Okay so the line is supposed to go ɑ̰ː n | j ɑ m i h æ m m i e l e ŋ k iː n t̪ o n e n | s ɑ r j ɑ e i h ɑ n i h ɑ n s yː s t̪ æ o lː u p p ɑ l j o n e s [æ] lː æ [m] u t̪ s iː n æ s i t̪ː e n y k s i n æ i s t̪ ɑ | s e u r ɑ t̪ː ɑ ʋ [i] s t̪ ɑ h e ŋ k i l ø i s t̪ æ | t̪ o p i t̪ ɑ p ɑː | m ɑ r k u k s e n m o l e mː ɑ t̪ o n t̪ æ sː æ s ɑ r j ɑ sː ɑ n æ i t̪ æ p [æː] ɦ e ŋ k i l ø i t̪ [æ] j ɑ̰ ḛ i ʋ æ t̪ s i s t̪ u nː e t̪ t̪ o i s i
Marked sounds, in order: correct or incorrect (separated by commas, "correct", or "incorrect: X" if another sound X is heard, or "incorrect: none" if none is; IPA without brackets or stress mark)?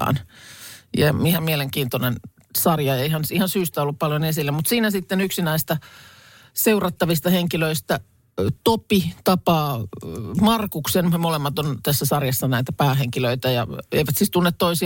incorrect: i, correct, correct, correct, correct